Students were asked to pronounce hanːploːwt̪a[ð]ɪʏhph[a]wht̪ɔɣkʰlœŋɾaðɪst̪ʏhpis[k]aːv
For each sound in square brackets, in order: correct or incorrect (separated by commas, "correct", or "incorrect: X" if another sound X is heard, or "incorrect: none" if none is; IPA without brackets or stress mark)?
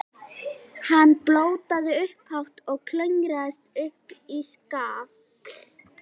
correct, correct, correct